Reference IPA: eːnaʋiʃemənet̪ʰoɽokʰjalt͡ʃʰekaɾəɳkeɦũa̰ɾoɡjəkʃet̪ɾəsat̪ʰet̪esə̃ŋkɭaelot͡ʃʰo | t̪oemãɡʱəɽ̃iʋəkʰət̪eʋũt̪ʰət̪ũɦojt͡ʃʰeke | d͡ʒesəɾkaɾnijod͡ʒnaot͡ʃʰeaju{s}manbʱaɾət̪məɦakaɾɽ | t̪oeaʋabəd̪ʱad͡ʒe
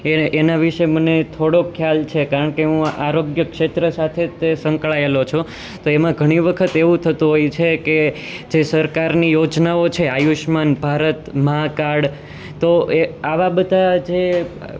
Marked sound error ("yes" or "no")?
yes